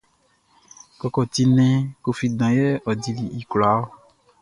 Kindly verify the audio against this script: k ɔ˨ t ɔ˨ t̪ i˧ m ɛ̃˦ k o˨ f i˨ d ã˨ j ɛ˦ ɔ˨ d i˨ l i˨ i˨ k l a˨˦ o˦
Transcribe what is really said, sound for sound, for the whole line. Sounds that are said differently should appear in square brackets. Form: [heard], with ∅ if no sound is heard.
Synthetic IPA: k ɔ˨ [k] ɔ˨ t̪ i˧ [n] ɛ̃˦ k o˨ f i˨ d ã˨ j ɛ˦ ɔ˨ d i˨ l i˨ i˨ k l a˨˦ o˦